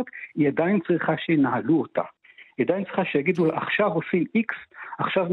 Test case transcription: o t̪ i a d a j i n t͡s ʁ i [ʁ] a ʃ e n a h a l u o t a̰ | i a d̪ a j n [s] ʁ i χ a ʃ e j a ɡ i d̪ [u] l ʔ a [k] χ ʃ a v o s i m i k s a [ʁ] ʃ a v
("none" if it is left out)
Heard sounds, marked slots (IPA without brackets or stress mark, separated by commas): χ, t͡s, u, none, χ